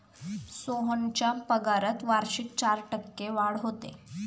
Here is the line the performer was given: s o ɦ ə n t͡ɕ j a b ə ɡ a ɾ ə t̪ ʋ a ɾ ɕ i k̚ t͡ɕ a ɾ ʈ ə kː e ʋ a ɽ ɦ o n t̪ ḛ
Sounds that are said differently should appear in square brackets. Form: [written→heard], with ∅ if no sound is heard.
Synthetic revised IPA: s o ɦ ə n t͡ɕ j a [b→p] ə ɡ a ɾ ə t̪ ʋ a ɾ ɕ i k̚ t͡ɕ a ɾ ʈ ə kː e ʋ a ɽ ɦ o [n→∅] t̪ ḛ